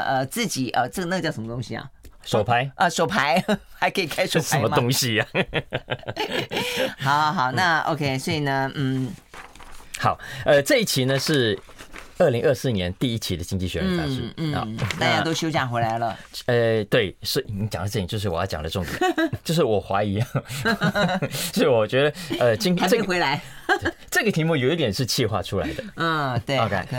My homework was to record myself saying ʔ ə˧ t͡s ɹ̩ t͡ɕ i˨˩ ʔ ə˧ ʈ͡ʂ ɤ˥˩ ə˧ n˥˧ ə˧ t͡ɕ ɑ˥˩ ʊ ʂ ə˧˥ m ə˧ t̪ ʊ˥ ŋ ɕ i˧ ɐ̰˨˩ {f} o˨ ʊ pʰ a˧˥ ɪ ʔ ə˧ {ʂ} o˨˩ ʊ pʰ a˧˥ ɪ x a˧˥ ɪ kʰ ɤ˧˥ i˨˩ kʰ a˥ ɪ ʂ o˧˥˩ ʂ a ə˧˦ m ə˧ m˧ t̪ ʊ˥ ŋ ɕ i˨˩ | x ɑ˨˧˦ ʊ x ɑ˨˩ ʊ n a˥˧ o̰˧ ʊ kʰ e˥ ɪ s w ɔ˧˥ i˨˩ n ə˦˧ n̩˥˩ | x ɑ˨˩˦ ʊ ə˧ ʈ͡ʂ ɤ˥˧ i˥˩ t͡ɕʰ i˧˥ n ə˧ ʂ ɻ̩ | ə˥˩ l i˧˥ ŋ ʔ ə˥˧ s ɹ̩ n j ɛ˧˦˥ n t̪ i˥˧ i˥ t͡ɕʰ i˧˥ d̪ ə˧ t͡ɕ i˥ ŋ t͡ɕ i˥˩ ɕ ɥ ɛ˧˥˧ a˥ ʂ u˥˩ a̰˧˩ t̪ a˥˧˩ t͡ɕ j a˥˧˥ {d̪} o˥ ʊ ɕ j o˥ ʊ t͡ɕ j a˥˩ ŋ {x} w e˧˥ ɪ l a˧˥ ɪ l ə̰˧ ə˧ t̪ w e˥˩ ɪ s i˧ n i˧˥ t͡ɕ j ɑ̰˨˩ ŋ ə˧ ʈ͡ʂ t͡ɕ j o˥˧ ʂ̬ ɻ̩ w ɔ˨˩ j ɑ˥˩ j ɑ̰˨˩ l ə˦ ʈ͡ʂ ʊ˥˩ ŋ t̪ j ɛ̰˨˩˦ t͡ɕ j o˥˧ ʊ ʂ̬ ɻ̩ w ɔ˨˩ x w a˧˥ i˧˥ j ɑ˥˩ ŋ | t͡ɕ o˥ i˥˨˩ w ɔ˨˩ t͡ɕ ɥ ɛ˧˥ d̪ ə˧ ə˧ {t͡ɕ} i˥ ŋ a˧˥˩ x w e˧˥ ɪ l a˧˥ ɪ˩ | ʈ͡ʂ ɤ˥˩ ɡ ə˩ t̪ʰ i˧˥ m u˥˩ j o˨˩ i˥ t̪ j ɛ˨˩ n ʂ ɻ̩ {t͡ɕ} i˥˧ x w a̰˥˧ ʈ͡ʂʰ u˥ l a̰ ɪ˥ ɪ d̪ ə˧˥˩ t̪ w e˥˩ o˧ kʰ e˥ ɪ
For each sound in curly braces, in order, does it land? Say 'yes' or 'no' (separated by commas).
no, yes, no, yes, yes, no